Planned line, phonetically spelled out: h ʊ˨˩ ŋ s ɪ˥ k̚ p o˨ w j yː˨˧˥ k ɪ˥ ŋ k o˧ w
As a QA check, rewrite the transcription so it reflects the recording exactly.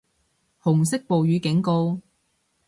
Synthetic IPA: h ʊ˨˩ ŋ s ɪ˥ k̚ p o˨ w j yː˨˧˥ k ɪ˨˥ ŋ k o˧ w

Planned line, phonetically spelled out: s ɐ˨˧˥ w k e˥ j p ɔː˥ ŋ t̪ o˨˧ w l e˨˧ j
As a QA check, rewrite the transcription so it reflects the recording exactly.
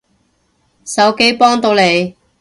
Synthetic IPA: s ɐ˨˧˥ w k e˥ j p ɔː˥ ŋ t̪ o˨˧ w l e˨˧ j

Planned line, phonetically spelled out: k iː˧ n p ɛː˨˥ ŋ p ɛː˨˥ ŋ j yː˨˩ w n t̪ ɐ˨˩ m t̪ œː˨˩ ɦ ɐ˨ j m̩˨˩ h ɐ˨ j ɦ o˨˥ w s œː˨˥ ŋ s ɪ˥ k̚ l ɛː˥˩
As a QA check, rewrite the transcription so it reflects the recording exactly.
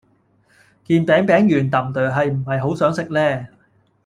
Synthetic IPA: k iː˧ n p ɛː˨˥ ŋ p ɛː˨˥ ŋ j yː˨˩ n t̪ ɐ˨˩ m t̪ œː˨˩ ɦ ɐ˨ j m̩˨˩ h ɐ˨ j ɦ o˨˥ w s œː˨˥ ŋ s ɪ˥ k̚ l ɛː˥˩

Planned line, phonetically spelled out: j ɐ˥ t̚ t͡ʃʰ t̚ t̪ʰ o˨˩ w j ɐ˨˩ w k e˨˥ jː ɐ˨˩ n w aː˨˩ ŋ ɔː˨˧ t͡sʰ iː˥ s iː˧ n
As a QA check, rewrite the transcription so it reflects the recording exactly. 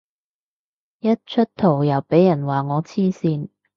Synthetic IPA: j ɐ˥ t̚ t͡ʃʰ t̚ t̪ʰ o˨˩ w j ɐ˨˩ w p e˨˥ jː ɐ˨˩ n w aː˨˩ ŋ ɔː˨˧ t͡sʰ iː˥ s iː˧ n

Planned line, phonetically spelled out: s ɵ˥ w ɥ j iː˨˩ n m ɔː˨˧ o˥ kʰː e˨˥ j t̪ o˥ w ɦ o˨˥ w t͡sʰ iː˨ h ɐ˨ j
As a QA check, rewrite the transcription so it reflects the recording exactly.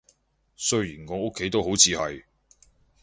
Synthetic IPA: s ɵ˥ ɥ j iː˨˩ n ŋ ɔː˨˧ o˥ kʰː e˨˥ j t̪ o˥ w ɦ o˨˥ w t͡sʰ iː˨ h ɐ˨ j

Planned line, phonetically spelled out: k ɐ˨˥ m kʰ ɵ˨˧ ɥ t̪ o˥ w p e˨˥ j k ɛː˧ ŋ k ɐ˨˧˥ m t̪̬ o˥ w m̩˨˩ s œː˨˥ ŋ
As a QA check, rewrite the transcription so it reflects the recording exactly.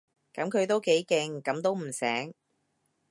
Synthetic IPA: k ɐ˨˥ m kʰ ɵ˨˧ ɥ t̪ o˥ w k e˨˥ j k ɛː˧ ŋ k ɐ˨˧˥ m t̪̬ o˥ w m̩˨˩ s ɛː˨˥ ŋ

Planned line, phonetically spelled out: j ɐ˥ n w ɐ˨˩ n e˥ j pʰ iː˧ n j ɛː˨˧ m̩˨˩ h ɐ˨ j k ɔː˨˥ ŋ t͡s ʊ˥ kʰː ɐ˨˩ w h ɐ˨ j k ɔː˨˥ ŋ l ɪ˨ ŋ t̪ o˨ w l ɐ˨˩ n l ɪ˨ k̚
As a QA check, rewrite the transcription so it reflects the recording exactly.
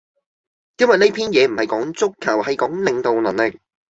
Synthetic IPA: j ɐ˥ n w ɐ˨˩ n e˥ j pʰ iː˥ n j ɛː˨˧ m̩˨˩ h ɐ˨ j k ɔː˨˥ ŋ t͡s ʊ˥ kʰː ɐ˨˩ w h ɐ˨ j k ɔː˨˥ ŋ l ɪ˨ ŋ t̪ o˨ w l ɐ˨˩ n l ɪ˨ k̚

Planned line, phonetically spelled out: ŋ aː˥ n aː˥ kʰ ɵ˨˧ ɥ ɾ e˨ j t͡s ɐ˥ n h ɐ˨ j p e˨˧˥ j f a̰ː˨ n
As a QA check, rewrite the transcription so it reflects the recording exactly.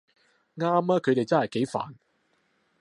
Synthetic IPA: ŋ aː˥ m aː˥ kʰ ɵ˨˧ ɥ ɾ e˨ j t͡s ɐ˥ n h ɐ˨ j k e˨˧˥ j f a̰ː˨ n

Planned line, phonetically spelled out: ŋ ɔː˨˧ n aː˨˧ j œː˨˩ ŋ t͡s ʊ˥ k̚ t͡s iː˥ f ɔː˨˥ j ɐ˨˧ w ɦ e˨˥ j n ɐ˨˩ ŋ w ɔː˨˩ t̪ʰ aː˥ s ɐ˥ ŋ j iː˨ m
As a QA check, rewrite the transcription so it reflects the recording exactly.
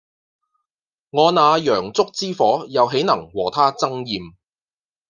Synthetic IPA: ŋ ɔː˨˧ n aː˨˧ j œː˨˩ ŋ t͡s ʊ˥ k̚ t͡s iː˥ f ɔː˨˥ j ɐ˨˧ w ɦ e˨˥ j n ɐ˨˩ ŋ w ɔː˨˩ t̪ʰ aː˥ t͡s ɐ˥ ŋ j iː˨ m

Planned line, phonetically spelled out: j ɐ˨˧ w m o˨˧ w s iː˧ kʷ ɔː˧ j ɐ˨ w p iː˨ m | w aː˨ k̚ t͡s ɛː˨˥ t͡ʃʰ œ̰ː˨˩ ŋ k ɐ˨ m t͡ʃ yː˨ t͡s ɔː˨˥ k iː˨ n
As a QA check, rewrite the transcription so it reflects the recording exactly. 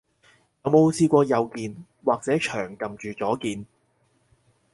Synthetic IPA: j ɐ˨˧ w m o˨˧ w s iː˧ kʷ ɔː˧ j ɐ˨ w k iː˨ n | w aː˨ k̚ t͡s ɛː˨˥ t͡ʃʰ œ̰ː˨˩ ŋ k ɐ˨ m t͡ʃ yː˨ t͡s ɔː˨˥ k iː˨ n

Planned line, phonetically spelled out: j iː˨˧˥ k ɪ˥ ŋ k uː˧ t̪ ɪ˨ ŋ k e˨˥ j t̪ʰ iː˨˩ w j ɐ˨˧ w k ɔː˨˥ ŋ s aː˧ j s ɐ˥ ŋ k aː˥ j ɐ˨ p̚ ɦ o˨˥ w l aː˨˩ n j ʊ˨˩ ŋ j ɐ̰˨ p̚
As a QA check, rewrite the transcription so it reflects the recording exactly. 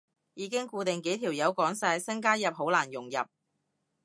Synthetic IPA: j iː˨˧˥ k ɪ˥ ŋ k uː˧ t̪ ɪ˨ ŋ k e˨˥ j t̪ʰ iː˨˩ w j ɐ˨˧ w k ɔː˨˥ ŋ s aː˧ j s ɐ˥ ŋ k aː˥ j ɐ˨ p̚ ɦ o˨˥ w l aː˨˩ n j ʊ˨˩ ŋ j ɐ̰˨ p̚

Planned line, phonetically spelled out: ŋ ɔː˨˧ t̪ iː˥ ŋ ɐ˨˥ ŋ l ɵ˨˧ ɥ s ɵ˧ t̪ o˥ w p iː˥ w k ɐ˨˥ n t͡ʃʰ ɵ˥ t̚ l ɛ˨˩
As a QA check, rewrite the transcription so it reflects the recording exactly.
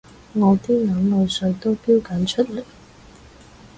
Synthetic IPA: ŋ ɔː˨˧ t̪ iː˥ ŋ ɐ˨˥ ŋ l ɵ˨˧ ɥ s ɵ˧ t̪ o˥ w p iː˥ w k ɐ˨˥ n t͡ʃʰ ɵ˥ t̚ l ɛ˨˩

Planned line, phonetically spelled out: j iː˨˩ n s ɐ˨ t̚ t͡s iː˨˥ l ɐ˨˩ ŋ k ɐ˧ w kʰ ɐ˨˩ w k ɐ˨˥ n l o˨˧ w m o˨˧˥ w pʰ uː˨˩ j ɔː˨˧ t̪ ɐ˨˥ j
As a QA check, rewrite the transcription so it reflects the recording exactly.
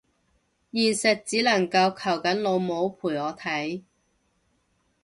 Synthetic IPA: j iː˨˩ n s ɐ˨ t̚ t͡s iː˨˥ l ɐ˨˩ ŋ k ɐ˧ w kʰ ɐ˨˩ w k ɐ˨˥ n l o˨˧ w m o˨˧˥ w pʰ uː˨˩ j ɔː˨˧ t̪ʰ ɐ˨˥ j

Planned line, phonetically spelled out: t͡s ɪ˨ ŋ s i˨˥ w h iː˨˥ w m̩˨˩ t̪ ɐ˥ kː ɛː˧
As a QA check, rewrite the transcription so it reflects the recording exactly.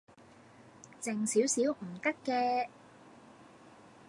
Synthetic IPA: t͡s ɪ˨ ŋ s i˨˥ w s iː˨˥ w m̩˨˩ t̪ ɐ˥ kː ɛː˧

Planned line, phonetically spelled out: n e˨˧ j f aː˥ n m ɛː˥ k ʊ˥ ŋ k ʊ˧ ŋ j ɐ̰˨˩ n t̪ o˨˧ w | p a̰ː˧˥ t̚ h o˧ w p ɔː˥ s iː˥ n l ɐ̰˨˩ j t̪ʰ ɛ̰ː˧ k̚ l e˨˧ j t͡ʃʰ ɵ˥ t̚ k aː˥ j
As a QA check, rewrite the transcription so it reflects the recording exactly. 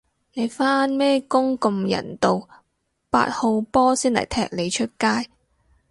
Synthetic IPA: n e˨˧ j f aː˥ n m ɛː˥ k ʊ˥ ŋ k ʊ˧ m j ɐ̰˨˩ n t̪ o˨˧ w | p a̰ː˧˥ t̚ h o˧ w p ɔː˥ s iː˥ n l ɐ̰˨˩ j t̪ʰ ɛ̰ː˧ k̚ l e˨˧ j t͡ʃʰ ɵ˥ t̚ k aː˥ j

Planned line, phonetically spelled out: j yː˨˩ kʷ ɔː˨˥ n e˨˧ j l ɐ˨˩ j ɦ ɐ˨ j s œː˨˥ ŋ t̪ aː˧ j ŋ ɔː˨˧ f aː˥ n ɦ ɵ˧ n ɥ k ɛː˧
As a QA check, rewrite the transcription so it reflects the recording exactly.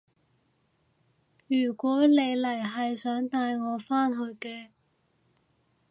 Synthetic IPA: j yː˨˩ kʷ ɔː˨˥ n e˨˧ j l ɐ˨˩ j ɦ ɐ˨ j s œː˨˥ ŋ t̪ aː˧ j ŋ ɔː˨˧ f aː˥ n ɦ ɵ˧ ɥ k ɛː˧

